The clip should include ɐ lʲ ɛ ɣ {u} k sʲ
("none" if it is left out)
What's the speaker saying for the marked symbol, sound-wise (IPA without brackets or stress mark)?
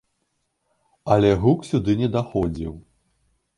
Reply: u